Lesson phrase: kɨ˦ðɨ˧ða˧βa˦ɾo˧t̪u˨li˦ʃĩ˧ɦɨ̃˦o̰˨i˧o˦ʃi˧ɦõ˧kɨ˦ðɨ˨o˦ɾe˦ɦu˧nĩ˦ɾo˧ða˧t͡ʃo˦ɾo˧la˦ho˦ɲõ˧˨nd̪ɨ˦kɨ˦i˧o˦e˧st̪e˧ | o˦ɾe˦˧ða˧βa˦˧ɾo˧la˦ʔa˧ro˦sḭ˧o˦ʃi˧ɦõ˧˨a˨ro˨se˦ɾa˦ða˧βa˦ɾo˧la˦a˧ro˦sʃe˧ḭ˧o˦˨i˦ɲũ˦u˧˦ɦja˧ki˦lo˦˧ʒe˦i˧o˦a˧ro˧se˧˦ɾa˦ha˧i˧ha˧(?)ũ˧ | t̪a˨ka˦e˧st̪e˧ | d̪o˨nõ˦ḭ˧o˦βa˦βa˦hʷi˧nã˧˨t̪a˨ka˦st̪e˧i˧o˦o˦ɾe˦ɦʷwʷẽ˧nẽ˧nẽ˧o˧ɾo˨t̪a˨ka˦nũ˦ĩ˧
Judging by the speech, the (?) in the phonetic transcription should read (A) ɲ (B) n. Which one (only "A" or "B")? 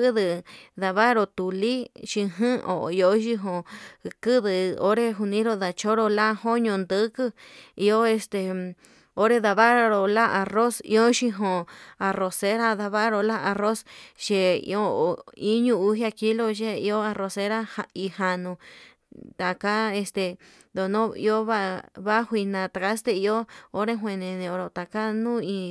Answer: B